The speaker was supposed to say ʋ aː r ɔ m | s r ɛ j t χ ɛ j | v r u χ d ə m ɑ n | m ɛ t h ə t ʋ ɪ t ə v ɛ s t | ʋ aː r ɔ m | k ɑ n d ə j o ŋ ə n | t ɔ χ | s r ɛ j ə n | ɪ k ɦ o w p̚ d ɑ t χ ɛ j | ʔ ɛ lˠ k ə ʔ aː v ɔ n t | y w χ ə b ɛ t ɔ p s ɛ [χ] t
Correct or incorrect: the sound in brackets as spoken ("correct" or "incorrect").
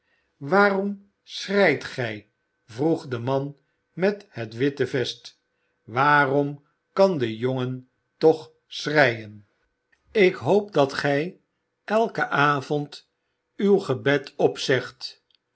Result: correct